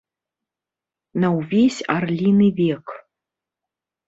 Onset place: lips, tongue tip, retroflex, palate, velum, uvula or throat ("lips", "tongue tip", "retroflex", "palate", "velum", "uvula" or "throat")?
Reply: tongue tip